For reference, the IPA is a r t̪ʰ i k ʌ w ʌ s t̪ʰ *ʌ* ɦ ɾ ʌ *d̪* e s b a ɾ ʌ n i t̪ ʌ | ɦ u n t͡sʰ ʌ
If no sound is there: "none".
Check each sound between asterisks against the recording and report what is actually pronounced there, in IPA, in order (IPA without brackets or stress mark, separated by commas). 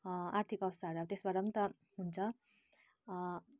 a, t̪